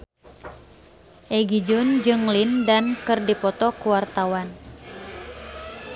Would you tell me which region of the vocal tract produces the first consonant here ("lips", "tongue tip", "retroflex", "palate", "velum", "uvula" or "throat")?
throat